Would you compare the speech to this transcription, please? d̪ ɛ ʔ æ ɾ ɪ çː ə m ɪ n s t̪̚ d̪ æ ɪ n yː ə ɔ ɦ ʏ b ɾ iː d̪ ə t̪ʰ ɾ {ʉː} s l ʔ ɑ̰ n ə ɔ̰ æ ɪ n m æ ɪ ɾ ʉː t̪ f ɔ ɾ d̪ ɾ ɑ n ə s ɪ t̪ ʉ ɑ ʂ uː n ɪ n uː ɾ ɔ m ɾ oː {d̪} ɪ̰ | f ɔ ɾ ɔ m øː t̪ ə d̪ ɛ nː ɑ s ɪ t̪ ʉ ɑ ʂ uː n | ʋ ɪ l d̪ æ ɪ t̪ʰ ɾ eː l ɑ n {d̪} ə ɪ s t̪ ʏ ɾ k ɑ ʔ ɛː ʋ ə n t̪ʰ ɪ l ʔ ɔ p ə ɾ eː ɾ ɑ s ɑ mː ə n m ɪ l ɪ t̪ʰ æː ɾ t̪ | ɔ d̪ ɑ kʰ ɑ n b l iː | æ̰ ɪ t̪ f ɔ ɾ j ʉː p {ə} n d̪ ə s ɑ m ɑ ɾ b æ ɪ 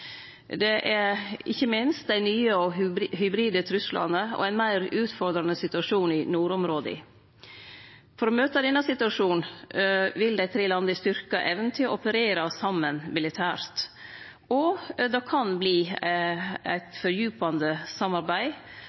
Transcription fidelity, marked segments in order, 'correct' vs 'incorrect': incorrect: ʉ, correct, correct, incorrect: ɑ

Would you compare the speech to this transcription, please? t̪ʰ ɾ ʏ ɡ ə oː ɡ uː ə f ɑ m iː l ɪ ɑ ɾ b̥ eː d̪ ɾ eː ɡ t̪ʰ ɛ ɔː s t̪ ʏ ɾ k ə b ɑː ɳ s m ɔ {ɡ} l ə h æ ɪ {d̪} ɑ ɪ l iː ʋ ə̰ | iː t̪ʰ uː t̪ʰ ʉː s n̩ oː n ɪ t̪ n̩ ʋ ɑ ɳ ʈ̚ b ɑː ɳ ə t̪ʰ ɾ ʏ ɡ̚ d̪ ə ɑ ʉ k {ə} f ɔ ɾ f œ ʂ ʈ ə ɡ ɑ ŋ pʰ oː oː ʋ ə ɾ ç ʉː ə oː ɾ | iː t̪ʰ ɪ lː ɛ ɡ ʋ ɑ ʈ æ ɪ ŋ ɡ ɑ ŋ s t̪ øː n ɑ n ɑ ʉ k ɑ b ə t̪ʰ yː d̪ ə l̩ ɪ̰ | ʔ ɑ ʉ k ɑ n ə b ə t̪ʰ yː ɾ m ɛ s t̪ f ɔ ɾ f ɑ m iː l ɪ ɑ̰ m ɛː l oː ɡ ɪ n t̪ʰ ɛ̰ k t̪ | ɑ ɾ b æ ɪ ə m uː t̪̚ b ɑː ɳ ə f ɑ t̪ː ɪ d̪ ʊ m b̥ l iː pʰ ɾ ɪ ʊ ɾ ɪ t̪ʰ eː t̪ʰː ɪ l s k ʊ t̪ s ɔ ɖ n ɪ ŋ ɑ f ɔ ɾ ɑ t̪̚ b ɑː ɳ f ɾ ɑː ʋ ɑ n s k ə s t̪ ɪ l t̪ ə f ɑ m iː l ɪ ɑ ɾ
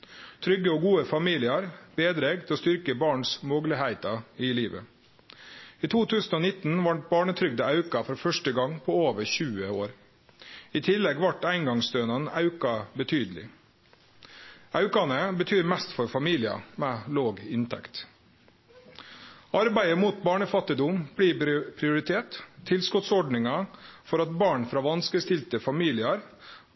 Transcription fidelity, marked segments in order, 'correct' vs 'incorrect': correct, incorrect: t̪, incorrect: ɑ

